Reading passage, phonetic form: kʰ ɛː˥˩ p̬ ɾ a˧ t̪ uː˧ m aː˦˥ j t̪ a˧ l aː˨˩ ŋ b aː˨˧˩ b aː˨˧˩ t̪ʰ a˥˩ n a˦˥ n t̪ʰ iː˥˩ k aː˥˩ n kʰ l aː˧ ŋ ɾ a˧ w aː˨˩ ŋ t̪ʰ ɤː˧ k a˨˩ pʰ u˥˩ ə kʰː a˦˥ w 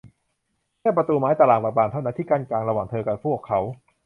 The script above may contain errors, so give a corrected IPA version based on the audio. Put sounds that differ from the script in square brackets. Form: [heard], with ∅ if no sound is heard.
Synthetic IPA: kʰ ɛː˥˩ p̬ ɾ a˧ t̪ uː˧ m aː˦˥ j t̪ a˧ l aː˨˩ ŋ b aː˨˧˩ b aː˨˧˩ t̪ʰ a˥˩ n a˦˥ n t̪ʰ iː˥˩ k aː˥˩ n [k] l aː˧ ŋ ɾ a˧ w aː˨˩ ŋ t̪ʰ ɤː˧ k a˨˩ pʰ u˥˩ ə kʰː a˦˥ w